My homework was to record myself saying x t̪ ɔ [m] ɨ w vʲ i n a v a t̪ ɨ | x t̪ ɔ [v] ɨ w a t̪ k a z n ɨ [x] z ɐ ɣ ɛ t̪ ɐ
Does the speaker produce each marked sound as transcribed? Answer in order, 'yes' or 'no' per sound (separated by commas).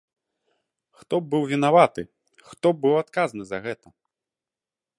no, no, no